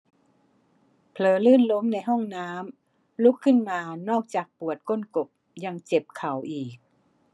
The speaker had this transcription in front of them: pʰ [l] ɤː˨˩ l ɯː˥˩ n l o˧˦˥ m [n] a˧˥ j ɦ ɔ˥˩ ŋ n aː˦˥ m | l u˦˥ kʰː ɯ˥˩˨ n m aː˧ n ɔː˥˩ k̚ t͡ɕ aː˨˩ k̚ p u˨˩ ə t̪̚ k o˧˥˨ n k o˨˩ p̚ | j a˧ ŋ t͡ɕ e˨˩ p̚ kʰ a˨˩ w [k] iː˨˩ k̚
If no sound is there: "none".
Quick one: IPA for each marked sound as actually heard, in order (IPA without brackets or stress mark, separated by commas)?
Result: l, n, ʔ